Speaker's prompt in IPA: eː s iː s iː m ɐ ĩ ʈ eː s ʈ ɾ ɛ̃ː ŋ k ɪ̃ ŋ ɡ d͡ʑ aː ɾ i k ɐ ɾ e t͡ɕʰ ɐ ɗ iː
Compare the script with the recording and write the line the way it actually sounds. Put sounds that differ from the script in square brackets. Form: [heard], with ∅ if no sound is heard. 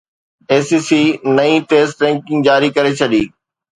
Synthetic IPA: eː s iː s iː [n] ɐ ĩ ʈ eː s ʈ ɾ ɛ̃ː ŋ k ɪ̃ ŋ ɡ d͡ʑ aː ɾ i k ɐ ɾ e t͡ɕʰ ɐ ɗ iː